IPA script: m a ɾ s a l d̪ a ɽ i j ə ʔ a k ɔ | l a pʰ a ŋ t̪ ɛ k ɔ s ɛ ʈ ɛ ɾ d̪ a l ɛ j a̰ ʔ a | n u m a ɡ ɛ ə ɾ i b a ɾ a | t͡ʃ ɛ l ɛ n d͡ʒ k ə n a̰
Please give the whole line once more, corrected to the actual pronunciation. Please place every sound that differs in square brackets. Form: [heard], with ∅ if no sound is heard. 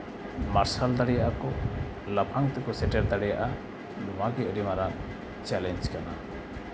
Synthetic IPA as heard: m a ɾ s a l d̪ a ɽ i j [a] ʔ a k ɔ | l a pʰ a ŋ t̪ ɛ k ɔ s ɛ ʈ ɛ ɾ d̪ a [ɽ] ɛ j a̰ ʔ a | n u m a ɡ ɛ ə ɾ i [m] a ɾ a | t͡ʃ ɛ l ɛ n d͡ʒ k [a] n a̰